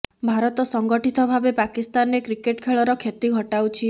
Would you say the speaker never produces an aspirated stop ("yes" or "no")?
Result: no